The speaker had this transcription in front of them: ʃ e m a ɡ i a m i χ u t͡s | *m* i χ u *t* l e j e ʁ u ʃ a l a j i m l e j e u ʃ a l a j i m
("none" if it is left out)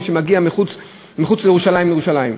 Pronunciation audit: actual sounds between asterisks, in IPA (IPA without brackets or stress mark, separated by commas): m, t͡s